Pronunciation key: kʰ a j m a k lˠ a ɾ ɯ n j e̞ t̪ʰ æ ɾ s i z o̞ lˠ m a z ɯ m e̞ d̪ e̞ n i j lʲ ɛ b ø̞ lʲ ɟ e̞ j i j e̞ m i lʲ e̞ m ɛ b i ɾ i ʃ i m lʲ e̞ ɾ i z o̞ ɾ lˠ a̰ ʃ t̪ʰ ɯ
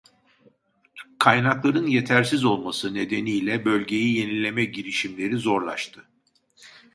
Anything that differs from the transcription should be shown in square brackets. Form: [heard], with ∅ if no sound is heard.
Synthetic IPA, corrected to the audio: kʰ a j [n] a k lˠ a ɾ ɯ n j e̞ t̪ʰ æ ɾ s i z o̞ lˠ m a [s] ɯ [n] e̞ d̪ e̞ n i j lʲ ɛ b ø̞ lʲ ɟ e̞ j i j e̞ [n] i lʲ e̞ m ɛ [ɟ] i ɾ i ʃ i m lʲ e̞ ɾ i z o̞ ɾ lˠ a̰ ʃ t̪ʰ ɯ